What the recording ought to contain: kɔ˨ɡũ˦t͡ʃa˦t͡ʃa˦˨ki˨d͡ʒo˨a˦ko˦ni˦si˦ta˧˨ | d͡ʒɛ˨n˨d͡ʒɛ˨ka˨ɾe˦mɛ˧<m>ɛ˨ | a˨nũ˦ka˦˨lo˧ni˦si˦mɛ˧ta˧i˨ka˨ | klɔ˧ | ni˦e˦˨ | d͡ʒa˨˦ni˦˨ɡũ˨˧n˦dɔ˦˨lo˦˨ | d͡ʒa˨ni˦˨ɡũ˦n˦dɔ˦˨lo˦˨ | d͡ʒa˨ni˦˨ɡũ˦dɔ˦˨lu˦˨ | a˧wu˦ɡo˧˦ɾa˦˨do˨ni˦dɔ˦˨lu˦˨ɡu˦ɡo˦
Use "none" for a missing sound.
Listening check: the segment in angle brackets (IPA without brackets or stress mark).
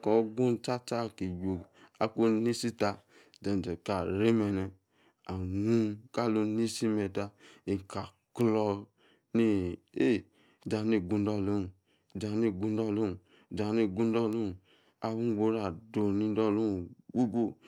n